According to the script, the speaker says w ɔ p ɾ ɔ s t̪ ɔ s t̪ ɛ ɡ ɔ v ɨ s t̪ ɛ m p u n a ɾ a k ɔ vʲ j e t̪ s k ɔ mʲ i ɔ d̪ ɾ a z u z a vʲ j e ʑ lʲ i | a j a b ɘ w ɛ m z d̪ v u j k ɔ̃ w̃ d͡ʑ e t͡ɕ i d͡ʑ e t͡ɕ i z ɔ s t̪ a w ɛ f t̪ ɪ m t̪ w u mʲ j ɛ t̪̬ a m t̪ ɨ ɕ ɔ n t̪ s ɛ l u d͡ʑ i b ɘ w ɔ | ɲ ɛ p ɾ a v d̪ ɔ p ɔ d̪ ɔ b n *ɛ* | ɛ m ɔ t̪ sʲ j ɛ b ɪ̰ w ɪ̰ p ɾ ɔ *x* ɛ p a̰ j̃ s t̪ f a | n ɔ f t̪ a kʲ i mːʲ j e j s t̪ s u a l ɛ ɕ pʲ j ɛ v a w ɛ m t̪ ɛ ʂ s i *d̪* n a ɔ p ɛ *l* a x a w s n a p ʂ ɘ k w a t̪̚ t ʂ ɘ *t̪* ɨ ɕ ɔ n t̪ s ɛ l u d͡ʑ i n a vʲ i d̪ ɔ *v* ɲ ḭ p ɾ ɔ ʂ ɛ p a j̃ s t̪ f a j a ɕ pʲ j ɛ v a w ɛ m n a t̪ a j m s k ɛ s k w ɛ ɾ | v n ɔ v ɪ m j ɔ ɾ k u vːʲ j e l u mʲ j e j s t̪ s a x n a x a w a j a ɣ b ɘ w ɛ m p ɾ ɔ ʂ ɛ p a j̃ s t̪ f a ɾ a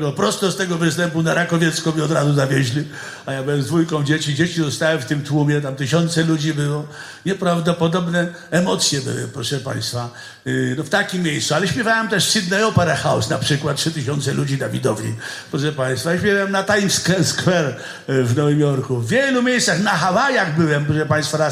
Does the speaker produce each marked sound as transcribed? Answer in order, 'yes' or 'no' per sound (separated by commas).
yes, no, yes, no, yes, yes